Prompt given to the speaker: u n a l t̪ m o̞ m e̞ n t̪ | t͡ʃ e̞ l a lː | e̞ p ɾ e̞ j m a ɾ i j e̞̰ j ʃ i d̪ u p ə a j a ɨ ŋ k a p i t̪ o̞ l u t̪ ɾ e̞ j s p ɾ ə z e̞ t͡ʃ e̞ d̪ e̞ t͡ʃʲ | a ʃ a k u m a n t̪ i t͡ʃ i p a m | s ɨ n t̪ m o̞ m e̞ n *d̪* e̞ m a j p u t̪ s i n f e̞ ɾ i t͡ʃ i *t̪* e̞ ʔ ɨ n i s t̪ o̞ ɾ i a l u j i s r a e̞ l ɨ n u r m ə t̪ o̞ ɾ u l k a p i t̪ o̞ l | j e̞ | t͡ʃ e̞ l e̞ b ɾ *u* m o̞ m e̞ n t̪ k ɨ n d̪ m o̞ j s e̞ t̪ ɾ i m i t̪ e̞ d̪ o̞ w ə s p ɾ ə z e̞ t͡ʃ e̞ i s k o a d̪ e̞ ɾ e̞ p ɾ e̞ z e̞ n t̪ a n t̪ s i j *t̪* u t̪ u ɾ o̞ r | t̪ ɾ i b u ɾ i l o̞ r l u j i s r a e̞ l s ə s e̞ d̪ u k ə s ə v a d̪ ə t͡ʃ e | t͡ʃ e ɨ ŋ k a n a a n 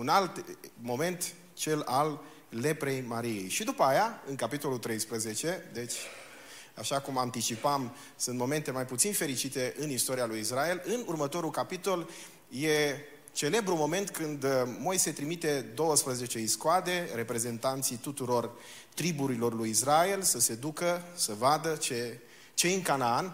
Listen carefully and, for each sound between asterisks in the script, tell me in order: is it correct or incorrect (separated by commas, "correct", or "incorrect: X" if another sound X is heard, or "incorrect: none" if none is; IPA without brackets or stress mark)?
incorrect: t̪, correct, correct, correct